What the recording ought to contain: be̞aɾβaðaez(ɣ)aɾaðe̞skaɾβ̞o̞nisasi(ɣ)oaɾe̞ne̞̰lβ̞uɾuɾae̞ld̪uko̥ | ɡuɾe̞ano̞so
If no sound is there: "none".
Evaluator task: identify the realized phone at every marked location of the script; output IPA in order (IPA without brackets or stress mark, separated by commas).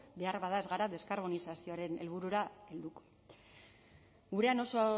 ɣ, none